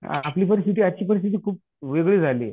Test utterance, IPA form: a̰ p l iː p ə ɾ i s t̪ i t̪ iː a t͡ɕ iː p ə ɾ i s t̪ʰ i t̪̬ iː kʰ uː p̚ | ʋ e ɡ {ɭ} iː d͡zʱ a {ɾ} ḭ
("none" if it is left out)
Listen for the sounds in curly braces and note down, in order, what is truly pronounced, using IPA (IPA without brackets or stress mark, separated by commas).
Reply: ɭ, l